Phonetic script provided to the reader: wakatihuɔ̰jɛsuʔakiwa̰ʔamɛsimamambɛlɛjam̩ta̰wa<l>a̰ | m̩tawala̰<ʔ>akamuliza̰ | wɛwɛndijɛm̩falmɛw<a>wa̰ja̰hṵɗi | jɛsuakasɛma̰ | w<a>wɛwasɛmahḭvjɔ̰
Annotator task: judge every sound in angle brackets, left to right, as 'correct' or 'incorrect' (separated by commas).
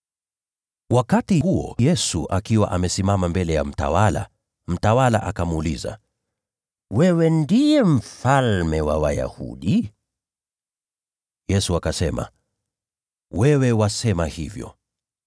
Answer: correct, correct, correct, incorrect